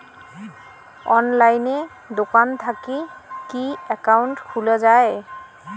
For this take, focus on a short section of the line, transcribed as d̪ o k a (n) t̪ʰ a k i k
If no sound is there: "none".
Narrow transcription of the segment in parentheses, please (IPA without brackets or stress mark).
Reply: n